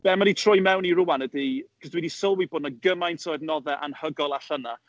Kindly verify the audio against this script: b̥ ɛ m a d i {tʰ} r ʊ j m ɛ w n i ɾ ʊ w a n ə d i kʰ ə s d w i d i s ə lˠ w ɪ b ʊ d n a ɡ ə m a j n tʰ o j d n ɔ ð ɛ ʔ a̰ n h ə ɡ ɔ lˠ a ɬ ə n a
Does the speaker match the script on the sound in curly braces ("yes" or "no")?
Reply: yes